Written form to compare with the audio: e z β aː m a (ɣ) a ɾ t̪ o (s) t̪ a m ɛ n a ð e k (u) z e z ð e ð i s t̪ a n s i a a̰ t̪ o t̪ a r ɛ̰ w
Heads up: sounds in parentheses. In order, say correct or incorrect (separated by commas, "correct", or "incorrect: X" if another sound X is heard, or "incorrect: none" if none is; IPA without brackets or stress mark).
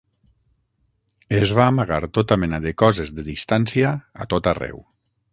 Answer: correct, incorrect: none, incorrect: ɔ